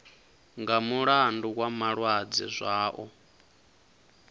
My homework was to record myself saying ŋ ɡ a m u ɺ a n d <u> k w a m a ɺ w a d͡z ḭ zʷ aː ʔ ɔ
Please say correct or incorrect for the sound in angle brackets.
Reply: correct